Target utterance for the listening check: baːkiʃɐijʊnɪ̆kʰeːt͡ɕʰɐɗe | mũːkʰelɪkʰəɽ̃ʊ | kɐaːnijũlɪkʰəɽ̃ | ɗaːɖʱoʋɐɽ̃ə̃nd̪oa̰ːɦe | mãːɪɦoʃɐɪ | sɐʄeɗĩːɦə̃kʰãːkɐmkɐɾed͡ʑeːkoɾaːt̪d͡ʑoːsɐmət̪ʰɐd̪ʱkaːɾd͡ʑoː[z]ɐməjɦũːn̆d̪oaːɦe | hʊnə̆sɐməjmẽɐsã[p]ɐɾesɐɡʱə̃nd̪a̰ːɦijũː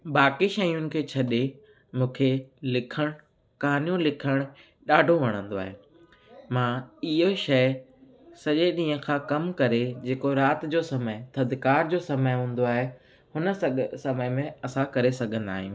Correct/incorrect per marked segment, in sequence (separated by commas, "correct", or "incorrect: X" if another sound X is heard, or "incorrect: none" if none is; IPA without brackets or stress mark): incorrect: s, incorrect: k